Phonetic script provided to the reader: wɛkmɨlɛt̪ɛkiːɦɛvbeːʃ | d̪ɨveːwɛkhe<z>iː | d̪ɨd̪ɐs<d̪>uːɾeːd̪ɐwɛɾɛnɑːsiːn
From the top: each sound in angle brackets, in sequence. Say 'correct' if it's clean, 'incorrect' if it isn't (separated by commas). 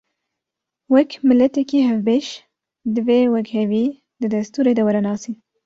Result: incorrect, incorrect